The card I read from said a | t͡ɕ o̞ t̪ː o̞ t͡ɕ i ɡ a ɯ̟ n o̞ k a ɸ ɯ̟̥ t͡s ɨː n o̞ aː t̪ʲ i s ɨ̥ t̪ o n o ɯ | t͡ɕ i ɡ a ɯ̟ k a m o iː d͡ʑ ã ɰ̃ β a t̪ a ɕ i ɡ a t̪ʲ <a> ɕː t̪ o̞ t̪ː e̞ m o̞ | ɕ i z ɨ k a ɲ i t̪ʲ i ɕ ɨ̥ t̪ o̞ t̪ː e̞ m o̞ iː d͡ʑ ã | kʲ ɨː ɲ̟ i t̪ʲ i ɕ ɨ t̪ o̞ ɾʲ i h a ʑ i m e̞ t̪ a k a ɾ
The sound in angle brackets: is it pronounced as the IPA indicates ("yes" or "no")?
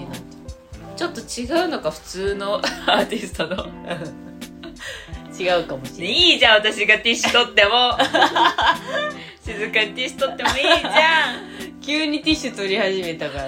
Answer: no